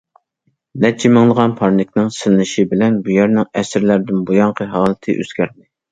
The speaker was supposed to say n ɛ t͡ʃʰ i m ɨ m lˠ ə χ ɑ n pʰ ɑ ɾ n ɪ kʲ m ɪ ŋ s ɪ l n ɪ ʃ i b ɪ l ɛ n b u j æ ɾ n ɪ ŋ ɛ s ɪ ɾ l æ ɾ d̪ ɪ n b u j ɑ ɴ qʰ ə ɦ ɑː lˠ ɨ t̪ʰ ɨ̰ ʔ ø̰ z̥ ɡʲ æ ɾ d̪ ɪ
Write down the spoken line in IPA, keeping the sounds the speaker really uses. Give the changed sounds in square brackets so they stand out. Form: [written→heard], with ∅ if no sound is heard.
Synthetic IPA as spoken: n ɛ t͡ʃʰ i m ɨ [m→ŋ] lˠ ə [χ→ʁ] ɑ n pʰ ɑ ɾ n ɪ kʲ [m→n] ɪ ŋ s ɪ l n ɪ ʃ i b ɪ l ɛ n b u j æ ɾ n ɪ ŋ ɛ s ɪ ɾ l æ ɾ d̪ ɪ n b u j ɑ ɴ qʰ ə ɦ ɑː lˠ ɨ t̪ʰ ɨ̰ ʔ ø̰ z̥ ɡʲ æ ɾ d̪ ɪ